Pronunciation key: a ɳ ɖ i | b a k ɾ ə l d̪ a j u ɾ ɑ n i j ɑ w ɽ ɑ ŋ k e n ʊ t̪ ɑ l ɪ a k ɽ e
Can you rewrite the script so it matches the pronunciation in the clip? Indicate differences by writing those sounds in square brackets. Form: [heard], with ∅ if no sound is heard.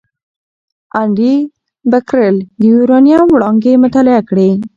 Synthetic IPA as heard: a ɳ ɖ i | b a k ɾ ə l d̪ [ə] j u ɾ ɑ n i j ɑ w ɽ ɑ ŋ [ɡ] e [m] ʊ t̪ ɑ l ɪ a k ɽ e